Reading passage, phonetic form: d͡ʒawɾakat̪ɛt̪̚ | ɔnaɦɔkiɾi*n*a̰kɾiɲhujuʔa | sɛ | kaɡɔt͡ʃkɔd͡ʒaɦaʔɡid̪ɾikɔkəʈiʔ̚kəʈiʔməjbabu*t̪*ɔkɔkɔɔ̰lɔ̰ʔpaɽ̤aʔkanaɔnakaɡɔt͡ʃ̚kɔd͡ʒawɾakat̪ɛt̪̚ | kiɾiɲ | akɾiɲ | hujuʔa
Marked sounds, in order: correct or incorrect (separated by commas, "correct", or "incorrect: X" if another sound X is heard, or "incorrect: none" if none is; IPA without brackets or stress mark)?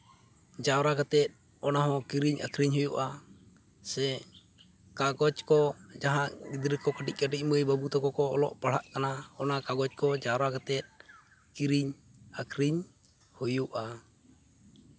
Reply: incorrect: ɲ, correct